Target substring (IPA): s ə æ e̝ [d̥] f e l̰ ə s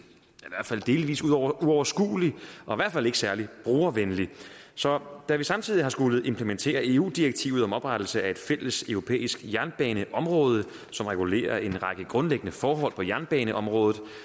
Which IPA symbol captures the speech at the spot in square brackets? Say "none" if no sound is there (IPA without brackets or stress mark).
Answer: d̥